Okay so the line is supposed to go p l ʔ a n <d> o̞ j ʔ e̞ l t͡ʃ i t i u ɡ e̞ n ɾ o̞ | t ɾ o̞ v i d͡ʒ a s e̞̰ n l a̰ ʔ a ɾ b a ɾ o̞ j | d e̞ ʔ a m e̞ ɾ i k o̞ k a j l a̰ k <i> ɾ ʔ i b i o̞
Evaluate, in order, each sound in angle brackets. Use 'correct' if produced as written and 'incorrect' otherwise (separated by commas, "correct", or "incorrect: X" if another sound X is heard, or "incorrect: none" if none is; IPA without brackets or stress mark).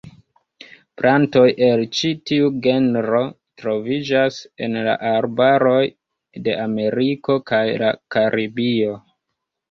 incorrect: t, incorrect: a